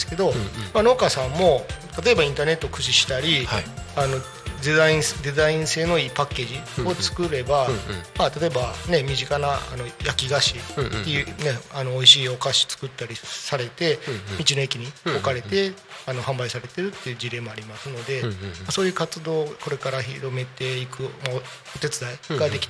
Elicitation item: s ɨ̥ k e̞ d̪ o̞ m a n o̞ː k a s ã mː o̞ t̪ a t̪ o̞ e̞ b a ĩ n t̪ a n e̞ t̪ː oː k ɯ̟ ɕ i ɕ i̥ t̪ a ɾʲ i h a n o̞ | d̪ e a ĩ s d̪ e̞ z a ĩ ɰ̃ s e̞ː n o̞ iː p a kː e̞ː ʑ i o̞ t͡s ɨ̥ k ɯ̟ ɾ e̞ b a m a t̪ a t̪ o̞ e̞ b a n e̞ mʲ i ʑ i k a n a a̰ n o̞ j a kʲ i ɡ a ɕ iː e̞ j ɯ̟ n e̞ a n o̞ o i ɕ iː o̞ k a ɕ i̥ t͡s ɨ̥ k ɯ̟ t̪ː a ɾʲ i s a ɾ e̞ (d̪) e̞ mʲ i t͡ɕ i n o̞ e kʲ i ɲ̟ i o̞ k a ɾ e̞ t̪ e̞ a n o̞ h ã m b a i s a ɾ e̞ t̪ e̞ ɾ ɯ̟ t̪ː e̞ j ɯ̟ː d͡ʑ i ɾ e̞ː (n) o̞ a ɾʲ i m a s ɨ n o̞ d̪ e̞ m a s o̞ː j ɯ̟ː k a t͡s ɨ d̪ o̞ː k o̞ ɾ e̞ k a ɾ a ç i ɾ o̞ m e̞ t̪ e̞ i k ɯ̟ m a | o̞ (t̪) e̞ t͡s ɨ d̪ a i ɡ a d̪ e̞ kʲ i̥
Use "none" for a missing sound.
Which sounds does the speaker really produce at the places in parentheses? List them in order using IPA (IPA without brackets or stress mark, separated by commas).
t̪, m, t̪